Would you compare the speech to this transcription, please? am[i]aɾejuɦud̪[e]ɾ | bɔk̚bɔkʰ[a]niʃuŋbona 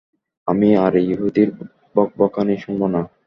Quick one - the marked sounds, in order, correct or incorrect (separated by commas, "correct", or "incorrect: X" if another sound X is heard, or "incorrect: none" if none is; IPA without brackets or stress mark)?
correct, incorrect: i, correct